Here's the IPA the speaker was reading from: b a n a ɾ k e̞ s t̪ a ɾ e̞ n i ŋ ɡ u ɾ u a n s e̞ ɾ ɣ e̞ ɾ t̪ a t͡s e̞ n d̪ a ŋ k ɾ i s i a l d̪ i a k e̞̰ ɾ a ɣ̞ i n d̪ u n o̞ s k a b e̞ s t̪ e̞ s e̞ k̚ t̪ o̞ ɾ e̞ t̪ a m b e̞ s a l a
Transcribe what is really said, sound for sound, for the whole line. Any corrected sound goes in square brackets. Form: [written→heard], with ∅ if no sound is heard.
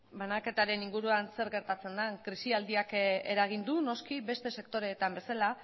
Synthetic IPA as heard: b a n a [ɾ→∅] k e̞ [s→∅] t̪ a ɾ e̞ n i ŋ ɡ u ɾ u a n s e̞ ɾ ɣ e̞ ɾ t̪ a t͡s e̞ n d̪ a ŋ k ɾ i s i a l d̪ i a k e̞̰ ɾ a ɣ̞ i n d̪ u n o̞ s k [a→i] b e̞ s t̪ e̞ s e̞ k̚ t̪ o̞ ɾ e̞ t̪ a m b e̞ s a l a